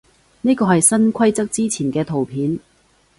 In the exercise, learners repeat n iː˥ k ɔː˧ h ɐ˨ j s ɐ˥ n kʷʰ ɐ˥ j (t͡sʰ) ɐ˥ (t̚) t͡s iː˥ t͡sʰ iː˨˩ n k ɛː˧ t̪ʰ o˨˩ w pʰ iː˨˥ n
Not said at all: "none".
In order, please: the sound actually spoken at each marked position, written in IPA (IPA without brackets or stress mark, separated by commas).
t͡s, k̚